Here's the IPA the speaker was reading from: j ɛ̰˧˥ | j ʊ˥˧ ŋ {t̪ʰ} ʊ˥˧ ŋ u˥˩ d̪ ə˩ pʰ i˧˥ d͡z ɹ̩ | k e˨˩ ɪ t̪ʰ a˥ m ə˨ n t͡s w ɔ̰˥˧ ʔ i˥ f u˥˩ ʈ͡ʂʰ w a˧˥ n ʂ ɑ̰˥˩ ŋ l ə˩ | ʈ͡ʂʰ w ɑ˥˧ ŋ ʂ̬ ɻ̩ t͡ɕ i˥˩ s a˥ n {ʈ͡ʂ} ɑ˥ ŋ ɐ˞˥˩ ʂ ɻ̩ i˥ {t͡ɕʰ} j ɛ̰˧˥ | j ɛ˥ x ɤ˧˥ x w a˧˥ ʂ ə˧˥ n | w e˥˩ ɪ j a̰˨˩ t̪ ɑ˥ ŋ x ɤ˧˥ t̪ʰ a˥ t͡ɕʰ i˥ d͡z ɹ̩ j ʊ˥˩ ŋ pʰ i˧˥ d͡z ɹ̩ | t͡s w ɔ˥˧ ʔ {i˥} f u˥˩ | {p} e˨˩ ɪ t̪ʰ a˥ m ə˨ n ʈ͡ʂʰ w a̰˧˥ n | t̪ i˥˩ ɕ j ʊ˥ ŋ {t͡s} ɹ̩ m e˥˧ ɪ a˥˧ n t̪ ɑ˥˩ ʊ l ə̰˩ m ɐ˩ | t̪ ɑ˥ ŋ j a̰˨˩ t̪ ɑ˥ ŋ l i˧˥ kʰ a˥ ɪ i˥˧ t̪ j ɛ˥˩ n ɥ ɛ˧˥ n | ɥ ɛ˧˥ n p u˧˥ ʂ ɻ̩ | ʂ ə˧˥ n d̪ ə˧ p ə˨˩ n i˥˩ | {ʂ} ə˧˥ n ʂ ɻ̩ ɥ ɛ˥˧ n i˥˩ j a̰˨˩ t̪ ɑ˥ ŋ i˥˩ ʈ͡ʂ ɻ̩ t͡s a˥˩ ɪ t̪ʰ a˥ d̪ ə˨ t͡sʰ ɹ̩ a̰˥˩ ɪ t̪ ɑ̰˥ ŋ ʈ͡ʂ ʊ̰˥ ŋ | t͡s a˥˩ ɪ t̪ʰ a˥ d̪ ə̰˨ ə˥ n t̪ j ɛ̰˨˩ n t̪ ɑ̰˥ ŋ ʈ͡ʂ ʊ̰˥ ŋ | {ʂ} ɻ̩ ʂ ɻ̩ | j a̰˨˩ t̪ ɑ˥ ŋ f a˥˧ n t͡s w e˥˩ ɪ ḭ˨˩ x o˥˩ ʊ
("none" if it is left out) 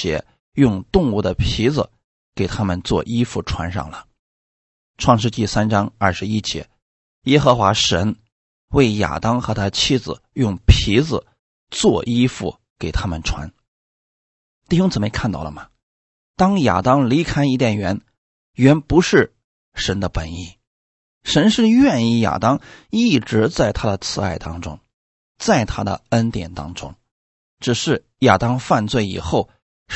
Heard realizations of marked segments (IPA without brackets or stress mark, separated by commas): t̪, ʈ͡ʂ, t͡ɕ, i˥, k, t͡s, ʂ, ʈ͡ʂ